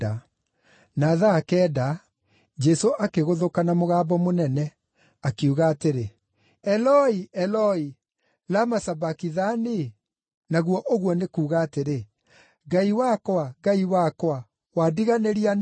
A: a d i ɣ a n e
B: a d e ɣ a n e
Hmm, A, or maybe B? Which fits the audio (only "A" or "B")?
A